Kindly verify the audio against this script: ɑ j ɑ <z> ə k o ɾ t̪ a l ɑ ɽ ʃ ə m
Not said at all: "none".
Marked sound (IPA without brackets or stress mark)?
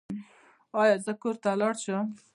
z